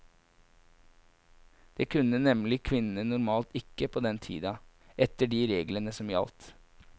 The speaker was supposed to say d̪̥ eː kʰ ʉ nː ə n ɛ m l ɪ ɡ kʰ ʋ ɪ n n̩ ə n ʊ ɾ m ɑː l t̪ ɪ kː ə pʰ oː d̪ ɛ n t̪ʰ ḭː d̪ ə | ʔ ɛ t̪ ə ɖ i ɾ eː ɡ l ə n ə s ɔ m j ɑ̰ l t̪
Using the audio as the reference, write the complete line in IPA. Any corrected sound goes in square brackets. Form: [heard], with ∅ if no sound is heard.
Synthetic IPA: d̪̥ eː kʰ ʉ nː ə n ɛ m l ɪ [∅] kʰ ʋ ɪ n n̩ ə n ʊ ɾ m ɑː l t̪ ɪ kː ə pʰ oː d̪ ɛ n t̪ʰ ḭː d̪ [ɑ] | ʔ ɛ t̪ ə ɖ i ɾ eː ɡ l ə n ə s ɔ m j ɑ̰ l t̪